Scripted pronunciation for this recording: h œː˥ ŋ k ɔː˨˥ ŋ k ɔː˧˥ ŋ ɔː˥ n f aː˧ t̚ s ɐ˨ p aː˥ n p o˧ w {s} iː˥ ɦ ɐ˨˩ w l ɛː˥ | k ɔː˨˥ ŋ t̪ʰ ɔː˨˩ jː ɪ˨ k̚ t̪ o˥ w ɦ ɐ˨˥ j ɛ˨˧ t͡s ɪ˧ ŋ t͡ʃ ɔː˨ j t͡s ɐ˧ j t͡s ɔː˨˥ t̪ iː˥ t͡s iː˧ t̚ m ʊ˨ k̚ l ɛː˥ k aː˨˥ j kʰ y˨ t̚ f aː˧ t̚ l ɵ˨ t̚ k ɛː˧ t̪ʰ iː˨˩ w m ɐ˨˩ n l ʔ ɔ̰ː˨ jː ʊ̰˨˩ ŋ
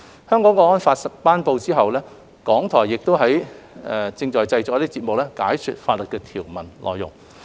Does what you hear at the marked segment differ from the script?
yes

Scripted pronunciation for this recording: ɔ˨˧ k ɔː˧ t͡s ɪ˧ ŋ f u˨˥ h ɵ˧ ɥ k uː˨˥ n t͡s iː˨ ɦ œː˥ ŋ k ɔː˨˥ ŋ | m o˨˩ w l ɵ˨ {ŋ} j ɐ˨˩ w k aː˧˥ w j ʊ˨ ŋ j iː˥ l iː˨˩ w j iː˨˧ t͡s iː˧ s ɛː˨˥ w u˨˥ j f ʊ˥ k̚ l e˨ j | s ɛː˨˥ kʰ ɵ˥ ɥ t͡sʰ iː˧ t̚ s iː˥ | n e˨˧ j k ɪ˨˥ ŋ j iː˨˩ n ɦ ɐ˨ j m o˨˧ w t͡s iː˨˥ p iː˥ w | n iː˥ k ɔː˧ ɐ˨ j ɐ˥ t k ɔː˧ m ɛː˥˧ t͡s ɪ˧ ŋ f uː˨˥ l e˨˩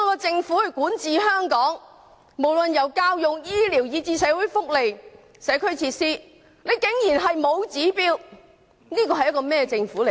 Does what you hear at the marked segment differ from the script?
yes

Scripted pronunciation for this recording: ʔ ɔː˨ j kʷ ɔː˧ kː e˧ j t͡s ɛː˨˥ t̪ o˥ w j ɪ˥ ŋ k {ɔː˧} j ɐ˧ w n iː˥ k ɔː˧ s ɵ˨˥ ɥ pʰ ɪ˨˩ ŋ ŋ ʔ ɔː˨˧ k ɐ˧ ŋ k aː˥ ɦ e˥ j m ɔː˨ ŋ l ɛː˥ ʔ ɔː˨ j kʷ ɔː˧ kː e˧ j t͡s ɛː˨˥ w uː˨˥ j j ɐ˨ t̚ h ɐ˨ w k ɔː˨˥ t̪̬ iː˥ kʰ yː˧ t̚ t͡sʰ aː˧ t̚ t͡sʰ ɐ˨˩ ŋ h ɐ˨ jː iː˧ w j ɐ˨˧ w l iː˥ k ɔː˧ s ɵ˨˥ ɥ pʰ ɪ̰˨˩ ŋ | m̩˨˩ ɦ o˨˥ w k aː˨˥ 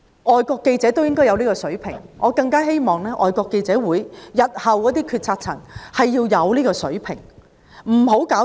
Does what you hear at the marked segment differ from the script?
yes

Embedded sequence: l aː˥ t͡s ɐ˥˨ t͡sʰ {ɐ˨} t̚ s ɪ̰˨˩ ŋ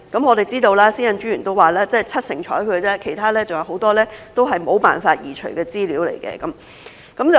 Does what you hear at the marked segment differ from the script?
yes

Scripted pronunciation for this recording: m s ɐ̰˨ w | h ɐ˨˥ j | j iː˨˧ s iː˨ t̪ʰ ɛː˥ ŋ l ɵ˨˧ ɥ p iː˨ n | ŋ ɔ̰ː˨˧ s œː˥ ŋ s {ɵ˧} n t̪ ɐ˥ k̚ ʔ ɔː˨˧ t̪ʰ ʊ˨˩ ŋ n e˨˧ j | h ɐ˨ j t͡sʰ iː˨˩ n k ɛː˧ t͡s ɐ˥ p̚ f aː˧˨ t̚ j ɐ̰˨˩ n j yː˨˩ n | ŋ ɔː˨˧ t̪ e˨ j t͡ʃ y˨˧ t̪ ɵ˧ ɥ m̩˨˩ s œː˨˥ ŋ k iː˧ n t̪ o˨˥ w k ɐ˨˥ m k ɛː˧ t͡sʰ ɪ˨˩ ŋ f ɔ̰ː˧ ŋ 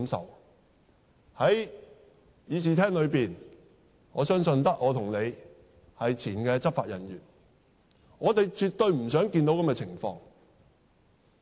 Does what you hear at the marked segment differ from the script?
no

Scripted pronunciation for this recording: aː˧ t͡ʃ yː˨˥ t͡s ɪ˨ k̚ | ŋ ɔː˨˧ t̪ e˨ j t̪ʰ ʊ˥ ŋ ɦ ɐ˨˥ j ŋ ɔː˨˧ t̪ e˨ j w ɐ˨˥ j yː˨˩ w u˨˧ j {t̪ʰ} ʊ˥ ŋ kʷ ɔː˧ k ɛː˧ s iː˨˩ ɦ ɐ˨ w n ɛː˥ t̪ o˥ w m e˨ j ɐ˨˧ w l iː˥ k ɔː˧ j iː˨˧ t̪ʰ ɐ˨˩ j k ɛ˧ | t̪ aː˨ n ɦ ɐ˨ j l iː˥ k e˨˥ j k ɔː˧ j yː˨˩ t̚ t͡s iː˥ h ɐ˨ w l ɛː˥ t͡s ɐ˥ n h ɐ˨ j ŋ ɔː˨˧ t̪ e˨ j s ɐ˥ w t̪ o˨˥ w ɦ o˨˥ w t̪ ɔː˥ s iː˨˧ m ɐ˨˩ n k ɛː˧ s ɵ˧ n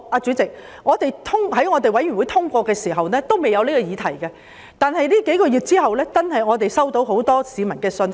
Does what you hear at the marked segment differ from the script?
no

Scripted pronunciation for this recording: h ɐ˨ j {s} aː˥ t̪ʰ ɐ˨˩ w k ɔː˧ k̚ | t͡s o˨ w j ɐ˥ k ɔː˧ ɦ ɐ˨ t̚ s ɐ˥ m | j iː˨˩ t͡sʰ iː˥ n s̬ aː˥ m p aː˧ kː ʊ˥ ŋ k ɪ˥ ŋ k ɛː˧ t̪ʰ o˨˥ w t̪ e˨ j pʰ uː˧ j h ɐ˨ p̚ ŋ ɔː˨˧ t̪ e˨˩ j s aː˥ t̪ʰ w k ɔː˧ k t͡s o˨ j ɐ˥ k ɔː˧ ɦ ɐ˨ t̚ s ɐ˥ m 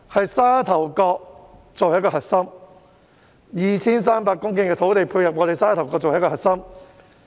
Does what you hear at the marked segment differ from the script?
no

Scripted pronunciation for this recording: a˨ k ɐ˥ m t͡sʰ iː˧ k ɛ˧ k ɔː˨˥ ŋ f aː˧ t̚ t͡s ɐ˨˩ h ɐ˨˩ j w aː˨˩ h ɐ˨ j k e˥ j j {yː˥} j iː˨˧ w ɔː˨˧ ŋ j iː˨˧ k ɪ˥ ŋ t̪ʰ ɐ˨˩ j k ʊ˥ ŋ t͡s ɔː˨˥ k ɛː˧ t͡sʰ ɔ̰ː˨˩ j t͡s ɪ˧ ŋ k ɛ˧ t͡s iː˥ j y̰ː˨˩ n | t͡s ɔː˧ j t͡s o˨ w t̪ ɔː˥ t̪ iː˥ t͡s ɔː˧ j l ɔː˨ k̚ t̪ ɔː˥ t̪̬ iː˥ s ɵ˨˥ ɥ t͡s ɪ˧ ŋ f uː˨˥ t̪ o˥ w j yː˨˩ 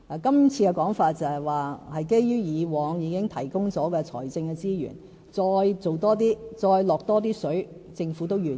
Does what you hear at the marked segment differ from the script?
no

